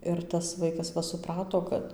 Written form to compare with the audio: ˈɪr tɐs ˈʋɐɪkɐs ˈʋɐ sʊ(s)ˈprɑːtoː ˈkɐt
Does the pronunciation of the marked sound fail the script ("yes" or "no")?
yes